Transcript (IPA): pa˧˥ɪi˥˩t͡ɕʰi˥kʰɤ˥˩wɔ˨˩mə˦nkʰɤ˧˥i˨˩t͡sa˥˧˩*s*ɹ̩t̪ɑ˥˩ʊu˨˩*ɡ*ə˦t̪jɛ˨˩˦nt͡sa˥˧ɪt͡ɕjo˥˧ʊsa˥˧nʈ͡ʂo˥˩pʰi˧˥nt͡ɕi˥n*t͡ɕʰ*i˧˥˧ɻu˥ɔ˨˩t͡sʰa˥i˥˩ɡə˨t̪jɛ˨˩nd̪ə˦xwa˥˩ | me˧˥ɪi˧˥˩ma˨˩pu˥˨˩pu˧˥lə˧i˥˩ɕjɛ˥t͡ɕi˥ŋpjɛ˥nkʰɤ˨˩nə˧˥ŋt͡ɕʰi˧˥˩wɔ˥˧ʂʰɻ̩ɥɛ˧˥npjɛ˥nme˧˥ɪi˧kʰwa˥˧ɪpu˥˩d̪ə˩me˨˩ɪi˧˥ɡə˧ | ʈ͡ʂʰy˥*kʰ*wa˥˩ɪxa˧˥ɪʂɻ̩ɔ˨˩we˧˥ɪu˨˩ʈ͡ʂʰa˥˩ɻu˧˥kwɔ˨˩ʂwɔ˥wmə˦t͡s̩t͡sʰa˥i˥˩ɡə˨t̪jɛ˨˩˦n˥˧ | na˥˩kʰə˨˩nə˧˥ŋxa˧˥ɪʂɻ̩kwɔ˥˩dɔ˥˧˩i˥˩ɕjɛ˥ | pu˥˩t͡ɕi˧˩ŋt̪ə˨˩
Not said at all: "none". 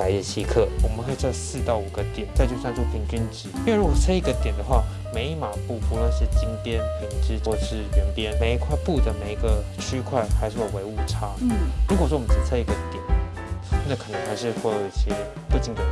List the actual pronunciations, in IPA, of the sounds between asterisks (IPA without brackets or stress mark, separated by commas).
s, ɡ, t͡ɕ, kʰ